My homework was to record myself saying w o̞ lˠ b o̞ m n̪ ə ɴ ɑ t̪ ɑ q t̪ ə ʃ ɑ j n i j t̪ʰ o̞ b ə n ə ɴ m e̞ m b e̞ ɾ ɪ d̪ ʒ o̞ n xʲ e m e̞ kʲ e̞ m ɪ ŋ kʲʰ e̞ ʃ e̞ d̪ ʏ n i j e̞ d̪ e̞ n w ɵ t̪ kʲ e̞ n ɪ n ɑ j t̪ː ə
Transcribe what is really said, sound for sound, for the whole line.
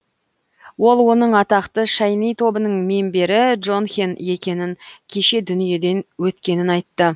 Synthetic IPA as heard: w o̞ lˠ w o̞ n̪ ə ɴ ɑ t̪ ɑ q t̪ ə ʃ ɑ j n i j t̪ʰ o̞ b ə n ə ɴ m e̞ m b e̞ ɾ ɪ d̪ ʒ o̞ n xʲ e n e̞ kʲ e̞ n ɪ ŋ kʲʰ e̞ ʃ e̞ d̪ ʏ n i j e̞ d̪ e̞ n w ɵ t̪ kʲ e̞ n ɪ n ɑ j t̪ː ə